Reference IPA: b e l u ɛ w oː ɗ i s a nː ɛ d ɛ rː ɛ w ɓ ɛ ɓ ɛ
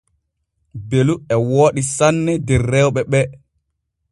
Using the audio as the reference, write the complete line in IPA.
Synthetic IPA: b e l u ɛ w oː ɗ i s a nː ɛ d ɛ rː ɛ w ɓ ɛ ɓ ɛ